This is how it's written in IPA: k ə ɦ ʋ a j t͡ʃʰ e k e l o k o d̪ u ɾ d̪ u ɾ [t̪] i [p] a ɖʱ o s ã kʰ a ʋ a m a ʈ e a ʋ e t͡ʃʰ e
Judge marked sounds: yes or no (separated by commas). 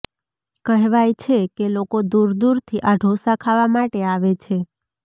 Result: no, no